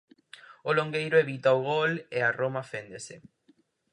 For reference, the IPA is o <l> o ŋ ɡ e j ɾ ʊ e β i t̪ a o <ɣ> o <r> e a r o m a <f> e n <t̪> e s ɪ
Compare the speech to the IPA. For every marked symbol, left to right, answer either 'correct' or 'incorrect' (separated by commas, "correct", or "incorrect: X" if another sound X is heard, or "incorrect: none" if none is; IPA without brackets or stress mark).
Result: correct, correct, incorrect: l, correct, incorrect: d̪